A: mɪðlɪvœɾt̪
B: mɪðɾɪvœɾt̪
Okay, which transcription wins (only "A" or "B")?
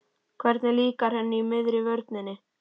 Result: B